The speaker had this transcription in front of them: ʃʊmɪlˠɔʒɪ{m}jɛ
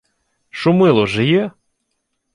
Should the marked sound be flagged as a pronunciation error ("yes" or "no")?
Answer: yes